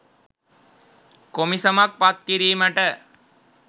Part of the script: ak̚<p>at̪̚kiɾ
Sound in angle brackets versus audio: correct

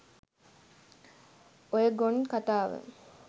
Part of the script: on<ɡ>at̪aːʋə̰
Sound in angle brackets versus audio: incorrect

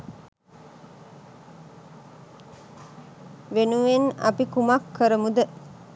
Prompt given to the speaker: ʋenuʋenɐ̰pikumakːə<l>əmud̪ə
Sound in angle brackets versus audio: incorrect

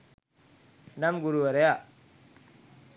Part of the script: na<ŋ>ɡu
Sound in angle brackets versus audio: incorrect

